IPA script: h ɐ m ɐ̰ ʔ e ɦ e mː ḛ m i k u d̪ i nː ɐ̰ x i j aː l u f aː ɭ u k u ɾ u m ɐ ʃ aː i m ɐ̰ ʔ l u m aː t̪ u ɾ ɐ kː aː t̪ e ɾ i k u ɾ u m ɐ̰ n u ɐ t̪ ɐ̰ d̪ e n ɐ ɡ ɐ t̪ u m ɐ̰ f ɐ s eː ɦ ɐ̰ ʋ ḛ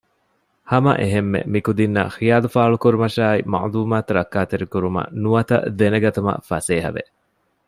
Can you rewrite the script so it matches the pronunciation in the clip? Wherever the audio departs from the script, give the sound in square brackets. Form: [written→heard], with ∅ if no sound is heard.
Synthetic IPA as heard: h ɐ m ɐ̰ ʔ e ɦ e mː ḛ m i k u d̪ i nː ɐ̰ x i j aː l u f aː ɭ u k u ɾ u m ɐ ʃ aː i m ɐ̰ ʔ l [u→uː] m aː t̪ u ɾ ɐ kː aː t̪ e ɾ i k u ɾ u m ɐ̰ n u ɐ t̪ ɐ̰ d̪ e n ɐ ɡ ɐ t̪ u m ɐ̰ f ɐ s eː ɦ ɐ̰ ʋ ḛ